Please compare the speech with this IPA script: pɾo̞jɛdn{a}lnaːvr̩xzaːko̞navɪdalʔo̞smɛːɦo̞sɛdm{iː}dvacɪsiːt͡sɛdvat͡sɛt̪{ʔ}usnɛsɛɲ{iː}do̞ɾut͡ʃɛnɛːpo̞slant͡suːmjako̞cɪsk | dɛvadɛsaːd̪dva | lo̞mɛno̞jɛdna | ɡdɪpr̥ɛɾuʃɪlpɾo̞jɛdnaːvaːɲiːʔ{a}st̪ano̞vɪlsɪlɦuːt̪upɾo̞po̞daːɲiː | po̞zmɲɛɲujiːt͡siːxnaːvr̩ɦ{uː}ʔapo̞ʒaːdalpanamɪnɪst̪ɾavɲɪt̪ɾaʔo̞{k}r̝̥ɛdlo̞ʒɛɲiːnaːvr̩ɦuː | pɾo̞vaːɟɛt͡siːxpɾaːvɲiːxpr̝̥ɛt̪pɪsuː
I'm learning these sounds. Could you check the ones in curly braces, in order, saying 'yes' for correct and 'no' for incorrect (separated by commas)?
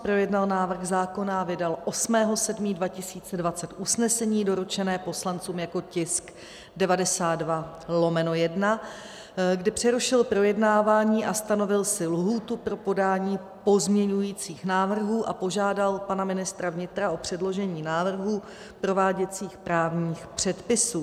yes, yes, yes, yes, yes, yes, no